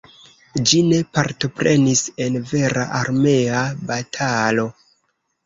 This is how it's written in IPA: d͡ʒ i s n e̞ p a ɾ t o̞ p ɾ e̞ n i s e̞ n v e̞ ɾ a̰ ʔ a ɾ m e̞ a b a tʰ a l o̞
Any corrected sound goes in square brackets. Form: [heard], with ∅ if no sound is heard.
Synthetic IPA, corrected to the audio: d͡ʒ i [∅] n e̞ p a ɾ t o̞ p ɾ e̞ n i s e̞ n v e̞ ɾ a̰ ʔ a ɾ m e̞ a b a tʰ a l o̞